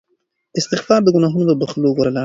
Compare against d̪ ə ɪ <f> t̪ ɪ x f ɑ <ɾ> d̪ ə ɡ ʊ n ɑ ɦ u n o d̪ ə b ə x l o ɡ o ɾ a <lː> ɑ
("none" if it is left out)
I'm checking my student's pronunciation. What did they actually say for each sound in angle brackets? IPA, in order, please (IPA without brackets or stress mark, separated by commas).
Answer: s, ɾ, l